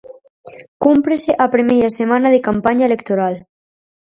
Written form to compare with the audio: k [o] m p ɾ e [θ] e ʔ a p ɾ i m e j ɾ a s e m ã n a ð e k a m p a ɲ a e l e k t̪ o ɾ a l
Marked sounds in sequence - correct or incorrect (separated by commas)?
incorrect, incorrect